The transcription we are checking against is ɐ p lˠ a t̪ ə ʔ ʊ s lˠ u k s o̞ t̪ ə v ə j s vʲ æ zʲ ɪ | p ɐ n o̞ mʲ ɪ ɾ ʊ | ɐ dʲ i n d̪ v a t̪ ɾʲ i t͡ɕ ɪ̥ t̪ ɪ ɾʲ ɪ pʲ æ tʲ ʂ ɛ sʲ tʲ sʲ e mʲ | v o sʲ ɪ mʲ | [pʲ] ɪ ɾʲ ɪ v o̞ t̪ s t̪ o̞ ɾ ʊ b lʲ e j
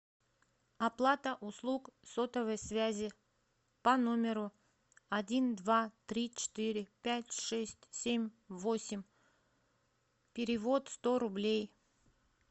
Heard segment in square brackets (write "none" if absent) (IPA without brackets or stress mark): pʲ